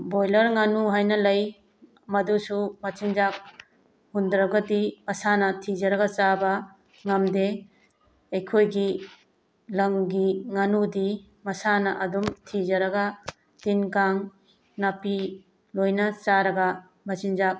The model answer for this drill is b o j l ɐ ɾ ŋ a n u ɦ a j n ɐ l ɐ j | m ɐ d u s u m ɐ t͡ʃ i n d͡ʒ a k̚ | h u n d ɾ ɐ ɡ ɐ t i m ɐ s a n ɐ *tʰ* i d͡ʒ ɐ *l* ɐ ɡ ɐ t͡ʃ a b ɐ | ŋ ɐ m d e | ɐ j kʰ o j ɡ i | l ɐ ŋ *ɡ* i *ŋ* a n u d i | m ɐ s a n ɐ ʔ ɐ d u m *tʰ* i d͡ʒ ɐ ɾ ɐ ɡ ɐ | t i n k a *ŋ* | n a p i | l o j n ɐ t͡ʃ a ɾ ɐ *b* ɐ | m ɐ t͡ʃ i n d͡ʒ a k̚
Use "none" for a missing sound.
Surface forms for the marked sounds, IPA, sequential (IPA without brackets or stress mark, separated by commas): tʰ, ɾ, ɡ, ŋ, tʰ, ŋ, ɡ